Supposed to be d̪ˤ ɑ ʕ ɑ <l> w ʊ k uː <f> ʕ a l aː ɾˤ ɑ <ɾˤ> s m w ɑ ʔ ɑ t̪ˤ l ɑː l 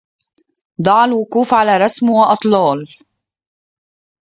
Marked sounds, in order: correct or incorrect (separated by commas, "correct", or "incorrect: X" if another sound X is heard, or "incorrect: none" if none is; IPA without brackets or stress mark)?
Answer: correct, correct, incorrect: none